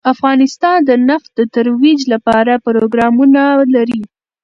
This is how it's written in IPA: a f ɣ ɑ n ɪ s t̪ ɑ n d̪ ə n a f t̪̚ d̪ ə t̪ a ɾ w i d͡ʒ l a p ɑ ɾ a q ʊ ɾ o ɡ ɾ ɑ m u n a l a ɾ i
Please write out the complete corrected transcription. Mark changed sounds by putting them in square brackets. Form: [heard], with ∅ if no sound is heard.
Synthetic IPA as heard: a f ɣ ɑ n ɪ s t̪ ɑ n d̪ ə n a f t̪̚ d̪ ə t̪ a ɾ w i d͡ʒ l a p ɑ ɾ a [p] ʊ ɾ o ɡ ɾ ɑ m u n a l a ɾ i